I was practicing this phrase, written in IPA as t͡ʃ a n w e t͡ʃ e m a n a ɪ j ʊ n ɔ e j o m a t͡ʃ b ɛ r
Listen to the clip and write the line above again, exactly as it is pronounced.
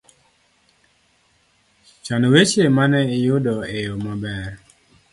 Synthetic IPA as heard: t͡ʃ a n w e t͡ʃ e m a n ɛ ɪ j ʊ d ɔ e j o m a b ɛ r